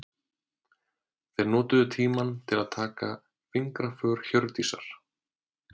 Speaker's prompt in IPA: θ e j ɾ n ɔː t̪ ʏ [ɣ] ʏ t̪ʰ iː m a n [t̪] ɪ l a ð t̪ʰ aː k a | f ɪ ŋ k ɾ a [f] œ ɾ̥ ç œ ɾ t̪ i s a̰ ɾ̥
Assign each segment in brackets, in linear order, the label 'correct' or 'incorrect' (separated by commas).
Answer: incorrect, incorrect, correct